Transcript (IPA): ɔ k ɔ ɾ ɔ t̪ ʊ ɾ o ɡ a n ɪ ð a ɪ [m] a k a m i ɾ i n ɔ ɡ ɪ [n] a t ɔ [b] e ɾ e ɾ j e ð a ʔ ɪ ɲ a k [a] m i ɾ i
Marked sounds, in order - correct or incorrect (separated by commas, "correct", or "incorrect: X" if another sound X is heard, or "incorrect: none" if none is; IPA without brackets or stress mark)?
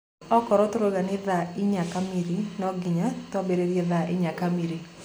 incorrect: ɲ, incorrect: ɲ, correct, correct